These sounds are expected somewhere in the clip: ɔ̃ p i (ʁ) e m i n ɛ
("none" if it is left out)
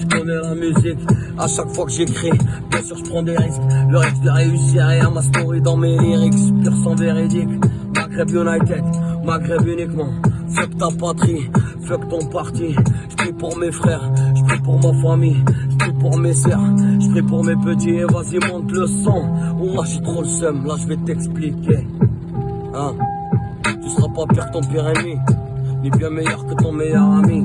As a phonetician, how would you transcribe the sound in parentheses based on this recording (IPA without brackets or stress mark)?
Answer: ʁ